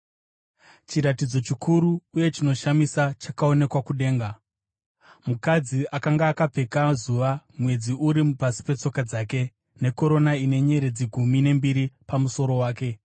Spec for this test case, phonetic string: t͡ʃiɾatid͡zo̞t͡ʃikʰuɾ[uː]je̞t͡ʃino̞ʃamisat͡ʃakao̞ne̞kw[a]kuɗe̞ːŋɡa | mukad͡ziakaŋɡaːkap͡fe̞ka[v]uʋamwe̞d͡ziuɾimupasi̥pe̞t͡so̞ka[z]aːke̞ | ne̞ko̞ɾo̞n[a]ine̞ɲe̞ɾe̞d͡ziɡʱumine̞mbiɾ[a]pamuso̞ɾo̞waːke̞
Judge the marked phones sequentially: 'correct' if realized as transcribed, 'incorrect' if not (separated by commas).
correct, correct, incorrect, incorrect, correct, incorrect